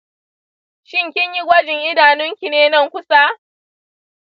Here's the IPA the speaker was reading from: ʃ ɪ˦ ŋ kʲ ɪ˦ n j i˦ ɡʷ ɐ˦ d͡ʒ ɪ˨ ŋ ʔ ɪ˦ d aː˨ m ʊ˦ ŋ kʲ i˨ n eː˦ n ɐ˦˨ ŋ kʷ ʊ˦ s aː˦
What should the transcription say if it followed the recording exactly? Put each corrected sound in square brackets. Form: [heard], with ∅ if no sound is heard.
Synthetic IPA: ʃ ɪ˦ ŋ kʲ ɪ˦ [ɲ] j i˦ ɡʷ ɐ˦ d͡ʒ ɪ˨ ŋ ʔ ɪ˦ d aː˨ [n] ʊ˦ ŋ kʲ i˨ n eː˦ n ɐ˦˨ ŋ kʷ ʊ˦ s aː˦